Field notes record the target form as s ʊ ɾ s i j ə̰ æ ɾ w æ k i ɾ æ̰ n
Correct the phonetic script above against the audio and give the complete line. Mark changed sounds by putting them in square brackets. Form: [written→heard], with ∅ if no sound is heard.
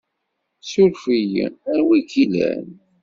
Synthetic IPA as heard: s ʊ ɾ [s→f] i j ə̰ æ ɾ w [æ→i] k i [ɾ→l] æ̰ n